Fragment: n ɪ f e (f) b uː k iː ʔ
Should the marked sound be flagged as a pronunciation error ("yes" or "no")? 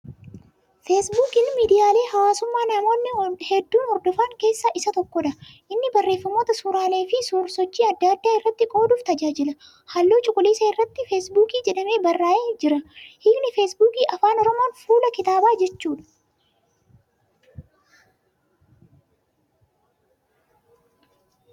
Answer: yes